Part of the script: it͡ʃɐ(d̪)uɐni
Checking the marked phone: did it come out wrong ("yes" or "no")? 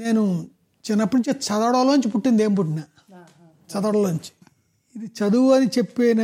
no